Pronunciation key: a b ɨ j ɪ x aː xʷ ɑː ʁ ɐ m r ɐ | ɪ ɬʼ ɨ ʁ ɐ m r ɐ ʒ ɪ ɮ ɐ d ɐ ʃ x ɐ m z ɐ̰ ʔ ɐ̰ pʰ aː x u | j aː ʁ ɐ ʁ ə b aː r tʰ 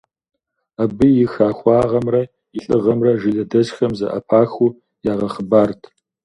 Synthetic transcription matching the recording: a b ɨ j ɪ x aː xʷ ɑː ʁ ɐ m r ɐ | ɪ ɬʼ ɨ ʁ ɐ m r ɐ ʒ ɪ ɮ ɐ d ɐ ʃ x ɐ m z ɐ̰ ʔ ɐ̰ pʰ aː x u | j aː ʁ ɐ χ ə b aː r tʰ